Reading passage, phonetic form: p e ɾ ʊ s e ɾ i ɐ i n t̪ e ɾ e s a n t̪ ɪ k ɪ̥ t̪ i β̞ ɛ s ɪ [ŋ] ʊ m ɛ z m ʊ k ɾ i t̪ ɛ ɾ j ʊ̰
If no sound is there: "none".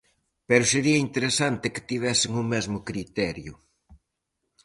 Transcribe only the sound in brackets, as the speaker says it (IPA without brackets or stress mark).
ŋ